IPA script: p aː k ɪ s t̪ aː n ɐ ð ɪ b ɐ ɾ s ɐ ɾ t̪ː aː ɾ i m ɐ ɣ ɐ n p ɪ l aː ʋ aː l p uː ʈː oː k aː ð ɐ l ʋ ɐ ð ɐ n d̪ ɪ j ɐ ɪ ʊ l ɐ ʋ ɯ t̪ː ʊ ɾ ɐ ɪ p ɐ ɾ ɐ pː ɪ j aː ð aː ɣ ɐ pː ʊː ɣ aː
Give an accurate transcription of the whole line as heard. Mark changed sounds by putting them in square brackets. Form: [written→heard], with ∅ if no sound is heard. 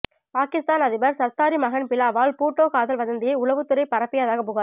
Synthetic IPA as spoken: p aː k ɪ s t̪ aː n ɐ ð ɪ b ɐ ɾ s ɐ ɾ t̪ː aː ɾ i m ɐ ɣ ɐ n p ɪ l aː ʋ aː l p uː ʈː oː k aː ð ɐ l ʋ ɐ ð ɐ n d̪ ɪ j ɐ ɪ ʊ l ɐ ʋ ɯ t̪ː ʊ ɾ ɐ ɪ p ɐ ɾ ɐ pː ɪ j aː ð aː ɣ ɐ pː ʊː ɣ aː